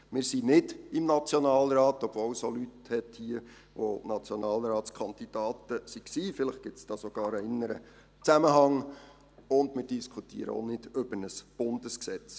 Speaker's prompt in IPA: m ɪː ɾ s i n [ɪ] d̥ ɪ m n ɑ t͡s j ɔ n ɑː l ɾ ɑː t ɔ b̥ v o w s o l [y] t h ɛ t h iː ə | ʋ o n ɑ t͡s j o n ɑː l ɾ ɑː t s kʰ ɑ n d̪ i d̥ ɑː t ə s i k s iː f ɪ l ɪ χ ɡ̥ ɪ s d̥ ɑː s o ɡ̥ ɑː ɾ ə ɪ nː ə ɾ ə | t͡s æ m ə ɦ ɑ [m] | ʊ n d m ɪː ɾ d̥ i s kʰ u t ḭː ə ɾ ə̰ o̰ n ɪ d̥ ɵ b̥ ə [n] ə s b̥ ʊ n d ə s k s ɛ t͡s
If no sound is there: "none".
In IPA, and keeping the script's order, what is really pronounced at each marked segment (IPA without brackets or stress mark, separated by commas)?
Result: ɪ, y, ŋ, n